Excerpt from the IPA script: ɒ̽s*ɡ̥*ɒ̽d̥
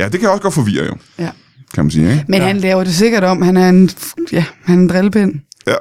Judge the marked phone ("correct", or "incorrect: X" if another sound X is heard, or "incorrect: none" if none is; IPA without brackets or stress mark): correct